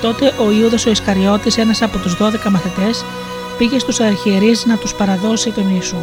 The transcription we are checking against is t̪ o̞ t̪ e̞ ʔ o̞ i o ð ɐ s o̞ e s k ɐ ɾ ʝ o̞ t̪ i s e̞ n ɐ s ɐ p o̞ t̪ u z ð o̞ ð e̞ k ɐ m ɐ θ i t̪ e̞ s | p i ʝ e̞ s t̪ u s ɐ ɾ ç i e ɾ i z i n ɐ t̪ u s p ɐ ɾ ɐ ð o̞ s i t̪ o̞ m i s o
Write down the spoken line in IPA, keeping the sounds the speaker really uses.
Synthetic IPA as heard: t̪ o̞ t̪ e̞ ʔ o̞ i u ð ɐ s o̞ i s k ɐ ɾ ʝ o̞ t̪ i s e̞ n ɐ s ɐ p o̞ t̪ u z ð o̞ ð e̞ k ɐ m ɐ θ i t̪ e̞ s | p i ʝ e̞ s t̪ u s ɐ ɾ ç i e ɾ i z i n ɐ t̪ u s p ɐ ɾ ɐ ð o̞ s i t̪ o̞ n i s u